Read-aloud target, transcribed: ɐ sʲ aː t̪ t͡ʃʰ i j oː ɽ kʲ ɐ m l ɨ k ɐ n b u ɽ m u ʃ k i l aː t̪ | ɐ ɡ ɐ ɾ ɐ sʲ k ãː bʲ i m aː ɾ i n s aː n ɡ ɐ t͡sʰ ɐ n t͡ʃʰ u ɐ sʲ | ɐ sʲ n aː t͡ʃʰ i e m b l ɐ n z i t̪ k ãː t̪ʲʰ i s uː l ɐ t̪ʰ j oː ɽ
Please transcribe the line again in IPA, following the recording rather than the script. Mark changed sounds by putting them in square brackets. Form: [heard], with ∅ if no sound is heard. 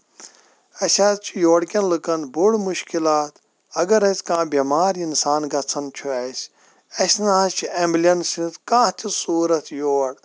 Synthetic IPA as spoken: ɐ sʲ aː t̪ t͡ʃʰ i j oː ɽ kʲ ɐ [n] l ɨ k ɐ n b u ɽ m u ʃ k i l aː t̪ | ɐ ɡ ɐ ɾ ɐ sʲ k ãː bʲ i m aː ɾ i n s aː n ɡ ɐ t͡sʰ ɐ n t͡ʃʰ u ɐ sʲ | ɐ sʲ n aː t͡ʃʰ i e m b l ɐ n [s] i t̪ k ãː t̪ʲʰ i s uː [ɾ] ɐ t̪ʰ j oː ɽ